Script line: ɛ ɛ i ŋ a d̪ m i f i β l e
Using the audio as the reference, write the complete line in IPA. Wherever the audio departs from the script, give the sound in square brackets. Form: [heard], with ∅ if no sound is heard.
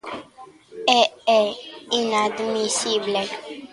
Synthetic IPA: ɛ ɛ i [n] a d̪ m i [s] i [b] l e